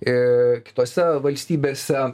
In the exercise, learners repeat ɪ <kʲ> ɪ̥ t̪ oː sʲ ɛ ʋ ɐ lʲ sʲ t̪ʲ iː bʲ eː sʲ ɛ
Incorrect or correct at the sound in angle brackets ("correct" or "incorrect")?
correct